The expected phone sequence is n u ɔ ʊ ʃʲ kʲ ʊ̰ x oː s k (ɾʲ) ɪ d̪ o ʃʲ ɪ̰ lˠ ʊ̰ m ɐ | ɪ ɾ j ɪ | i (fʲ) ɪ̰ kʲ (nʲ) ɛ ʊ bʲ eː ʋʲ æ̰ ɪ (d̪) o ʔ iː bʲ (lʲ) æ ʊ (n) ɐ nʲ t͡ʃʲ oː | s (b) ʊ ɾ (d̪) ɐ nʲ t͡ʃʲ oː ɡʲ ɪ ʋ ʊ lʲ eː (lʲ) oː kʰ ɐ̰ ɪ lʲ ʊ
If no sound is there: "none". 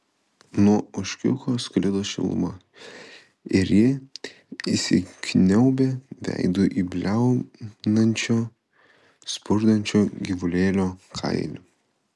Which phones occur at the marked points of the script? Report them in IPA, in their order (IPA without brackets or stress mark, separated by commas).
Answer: lʲ, sʲ, nʲ, d̪, lʲ, n, p, d̪, lʲ